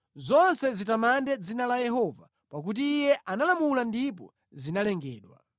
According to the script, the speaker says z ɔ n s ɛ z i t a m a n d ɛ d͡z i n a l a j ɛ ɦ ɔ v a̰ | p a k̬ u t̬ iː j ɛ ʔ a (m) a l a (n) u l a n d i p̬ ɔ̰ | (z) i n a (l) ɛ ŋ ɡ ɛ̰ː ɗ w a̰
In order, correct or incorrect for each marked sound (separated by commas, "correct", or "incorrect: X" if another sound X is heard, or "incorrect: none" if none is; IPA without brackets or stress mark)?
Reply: incorrect: n, incorrect: m, correct, correct